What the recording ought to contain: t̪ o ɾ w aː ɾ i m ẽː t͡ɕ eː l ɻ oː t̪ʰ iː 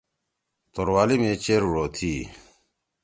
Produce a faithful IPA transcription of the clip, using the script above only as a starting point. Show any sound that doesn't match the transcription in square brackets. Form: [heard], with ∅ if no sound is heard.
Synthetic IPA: t̪ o ɾ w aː [l] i m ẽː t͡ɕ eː [ɾ] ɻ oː t̪ʰ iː